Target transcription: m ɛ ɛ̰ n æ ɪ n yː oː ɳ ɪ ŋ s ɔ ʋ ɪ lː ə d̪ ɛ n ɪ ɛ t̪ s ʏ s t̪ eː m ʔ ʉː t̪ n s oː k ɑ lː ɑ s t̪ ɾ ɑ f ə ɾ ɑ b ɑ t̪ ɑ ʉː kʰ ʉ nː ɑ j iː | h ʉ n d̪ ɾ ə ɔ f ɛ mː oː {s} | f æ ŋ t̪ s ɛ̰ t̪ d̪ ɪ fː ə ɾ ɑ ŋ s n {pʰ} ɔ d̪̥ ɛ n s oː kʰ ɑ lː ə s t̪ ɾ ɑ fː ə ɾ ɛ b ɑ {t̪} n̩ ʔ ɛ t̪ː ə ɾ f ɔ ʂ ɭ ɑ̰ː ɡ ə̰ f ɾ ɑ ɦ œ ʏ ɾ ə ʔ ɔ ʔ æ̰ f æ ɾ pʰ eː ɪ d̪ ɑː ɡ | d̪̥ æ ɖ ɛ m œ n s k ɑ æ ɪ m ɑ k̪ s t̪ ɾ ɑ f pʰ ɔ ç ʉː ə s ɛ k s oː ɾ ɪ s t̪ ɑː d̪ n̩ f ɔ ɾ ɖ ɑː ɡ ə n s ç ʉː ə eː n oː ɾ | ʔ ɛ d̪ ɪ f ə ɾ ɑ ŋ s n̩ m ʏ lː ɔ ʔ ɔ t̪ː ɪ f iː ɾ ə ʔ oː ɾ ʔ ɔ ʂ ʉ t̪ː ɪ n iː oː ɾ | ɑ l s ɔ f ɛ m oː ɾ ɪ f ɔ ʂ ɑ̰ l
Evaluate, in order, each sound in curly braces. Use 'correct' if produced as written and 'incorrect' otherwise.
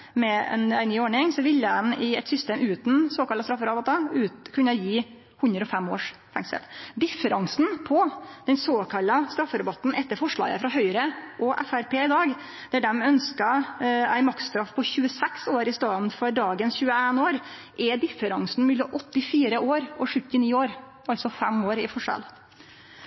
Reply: incorrect, correct, correct

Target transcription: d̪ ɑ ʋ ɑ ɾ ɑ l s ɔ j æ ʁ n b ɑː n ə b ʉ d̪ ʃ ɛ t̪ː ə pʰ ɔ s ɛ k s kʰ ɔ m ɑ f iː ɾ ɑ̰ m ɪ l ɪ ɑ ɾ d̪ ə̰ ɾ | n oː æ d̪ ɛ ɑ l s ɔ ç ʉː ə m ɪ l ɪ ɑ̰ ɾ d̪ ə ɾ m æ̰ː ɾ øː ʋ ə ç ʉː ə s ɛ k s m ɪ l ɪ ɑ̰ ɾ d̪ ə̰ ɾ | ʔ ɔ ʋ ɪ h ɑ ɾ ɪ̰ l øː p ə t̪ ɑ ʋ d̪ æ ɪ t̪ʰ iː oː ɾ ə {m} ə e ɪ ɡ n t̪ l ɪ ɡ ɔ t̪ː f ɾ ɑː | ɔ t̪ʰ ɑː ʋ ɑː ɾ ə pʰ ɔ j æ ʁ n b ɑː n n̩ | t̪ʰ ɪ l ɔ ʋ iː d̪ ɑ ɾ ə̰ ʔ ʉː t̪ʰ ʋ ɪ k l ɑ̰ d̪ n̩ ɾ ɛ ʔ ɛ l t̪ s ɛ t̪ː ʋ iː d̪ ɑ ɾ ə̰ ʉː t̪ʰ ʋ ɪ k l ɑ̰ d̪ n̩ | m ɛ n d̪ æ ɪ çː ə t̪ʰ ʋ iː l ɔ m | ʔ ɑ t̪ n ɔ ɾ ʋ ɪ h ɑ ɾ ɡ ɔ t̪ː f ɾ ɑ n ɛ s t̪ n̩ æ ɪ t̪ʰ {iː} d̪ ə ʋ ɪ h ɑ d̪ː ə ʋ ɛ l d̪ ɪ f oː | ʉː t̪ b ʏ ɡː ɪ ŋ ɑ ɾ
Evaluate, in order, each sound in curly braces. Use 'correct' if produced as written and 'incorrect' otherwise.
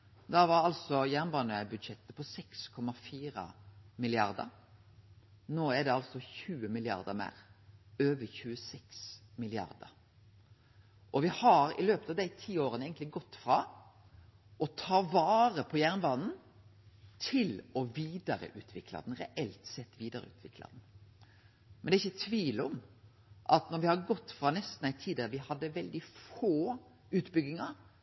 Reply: incorrect, correct

